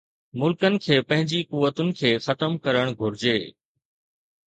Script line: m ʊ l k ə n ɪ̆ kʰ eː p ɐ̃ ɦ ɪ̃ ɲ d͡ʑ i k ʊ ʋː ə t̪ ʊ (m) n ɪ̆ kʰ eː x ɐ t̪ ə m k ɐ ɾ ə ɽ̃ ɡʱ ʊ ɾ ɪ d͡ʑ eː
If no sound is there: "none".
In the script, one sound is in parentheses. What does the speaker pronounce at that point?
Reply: none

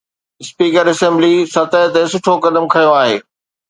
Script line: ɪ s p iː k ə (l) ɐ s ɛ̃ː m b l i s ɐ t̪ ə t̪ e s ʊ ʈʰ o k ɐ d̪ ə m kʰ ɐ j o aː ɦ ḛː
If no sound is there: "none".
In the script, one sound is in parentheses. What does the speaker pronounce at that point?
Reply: ɾ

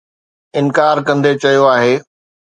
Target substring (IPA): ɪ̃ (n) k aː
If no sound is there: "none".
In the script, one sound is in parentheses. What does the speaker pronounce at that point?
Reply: n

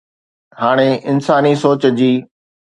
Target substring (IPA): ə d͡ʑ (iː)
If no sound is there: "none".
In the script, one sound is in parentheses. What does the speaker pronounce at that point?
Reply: iː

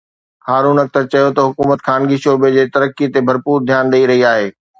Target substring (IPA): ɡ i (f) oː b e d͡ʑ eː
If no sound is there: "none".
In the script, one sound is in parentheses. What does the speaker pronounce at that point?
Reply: ʃ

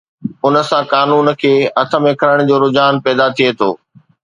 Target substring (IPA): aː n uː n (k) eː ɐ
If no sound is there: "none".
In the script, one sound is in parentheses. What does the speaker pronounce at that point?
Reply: kʰ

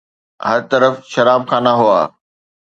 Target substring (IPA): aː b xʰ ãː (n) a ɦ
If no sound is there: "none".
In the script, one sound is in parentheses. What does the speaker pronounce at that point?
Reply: n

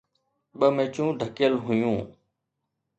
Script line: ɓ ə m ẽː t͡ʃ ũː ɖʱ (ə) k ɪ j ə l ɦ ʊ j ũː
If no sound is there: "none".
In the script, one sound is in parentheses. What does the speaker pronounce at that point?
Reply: ə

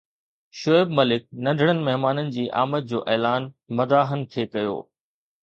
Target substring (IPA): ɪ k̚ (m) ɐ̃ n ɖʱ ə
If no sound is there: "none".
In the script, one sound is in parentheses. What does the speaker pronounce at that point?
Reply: n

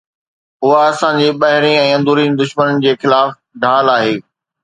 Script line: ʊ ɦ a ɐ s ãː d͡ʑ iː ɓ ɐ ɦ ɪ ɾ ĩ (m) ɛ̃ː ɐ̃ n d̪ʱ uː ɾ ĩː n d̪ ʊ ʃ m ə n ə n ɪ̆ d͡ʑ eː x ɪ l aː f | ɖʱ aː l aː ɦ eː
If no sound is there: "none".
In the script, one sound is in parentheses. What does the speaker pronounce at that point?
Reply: none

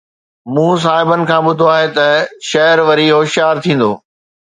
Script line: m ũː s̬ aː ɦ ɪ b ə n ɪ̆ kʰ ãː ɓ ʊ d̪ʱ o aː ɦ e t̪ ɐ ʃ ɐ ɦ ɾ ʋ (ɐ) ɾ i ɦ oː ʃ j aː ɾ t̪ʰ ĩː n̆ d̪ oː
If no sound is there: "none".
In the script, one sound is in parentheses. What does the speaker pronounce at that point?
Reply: ɐ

